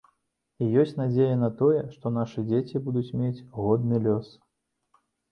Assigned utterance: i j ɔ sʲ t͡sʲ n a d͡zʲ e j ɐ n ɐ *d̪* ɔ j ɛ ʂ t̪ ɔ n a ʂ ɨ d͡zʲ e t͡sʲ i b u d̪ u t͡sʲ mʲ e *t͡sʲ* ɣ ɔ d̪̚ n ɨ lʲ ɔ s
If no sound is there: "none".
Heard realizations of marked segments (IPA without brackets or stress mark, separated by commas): t̪, t͡sʲ